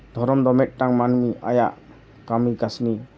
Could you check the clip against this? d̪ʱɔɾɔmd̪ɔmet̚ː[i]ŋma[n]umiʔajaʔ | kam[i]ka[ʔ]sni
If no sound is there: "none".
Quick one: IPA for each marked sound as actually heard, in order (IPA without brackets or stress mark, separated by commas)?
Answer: a, n, i, none